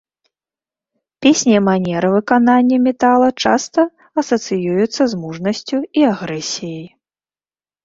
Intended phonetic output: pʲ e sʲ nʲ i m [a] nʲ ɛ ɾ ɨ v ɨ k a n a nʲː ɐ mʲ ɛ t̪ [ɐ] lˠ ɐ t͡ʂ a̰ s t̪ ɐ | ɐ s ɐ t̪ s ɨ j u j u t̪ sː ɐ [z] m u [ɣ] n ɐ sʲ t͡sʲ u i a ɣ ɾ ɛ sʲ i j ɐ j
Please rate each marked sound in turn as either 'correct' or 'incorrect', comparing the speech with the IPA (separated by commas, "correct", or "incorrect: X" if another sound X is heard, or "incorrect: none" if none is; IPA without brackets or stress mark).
correct, incorrect: a, correct, incorrect: ʐ